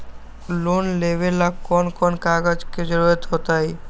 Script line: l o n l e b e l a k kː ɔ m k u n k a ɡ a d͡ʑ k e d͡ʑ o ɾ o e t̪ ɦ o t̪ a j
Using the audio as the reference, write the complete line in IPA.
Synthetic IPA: l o n l e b e l a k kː ɔ n k ɔ n k a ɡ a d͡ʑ k e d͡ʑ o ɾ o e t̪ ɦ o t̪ a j